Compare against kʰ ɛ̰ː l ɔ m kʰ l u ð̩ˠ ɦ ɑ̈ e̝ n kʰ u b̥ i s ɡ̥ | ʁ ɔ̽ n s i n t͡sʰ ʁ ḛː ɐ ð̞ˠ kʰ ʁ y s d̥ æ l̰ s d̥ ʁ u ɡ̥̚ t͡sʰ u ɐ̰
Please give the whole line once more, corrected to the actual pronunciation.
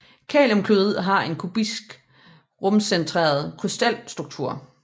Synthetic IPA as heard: kʰ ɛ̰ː l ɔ m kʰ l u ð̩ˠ ɦ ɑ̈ e̝ n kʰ u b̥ i s ɡ̥ | ʁ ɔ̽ m s e n t͡sʰ ʁ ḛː ɐ ð̞ˠ kʰ ʁ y s d̥ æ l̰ s d̥ ʁ u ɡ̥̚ t͡sʰ u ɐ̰